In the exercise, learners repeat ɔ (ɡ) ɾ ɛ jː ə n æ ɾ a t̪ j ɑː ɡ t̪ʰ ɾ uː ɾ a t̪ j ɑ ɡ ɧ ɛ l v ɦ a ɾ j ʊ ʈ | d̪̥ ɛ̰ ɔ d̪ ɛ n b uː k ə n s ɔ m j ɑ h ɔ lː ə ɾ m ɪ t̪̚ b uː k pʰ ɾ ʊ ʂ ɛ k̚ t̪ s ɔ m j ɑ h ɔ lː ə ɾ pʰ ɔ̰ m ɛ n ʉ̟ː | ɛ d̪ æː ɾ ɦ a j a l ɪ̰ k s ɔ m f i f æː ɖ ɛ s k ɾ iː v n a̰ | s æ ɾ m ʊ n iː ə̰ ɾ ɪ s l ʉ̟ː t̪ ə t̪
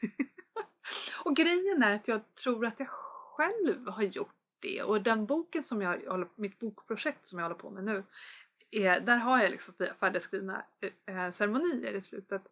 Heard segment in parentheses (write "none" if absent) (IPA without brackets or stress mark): ɡ